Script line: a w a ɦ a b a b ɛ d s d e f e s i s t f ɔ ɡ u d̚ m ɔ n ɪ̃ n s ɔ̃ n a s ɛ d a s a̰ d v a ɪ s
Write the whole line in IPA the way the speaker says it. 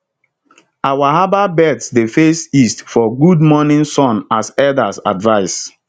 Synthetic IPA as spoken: a w a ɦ a b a b ɛ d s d e f e s i s t f ɔ ɡ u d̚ m ɔ n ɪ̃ n s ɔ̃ n a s ɛ d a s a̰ d v a ɪ s